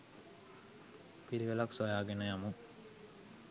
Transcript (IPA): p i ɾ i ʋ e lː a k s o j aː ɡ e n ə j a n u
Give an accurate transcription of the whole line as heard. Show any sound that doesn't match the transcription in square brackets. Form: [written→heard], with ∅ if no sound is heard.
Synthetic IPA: p i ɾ i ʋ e [lː→l] a k s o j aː ɡ e n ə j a [n→m] u